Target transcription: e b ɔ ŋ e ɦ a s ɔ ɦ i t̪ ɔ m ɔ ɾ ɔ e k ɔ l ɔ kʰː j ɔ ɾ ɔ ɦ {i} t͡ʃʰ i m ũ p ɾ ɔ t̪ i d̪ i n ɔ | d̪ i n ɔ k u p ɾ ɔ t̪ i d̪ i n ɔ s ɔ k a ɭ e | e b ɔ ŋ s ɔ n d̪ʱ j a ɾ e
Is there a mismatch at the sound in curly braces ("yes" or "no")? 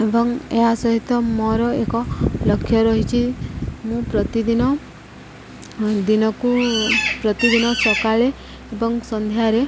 no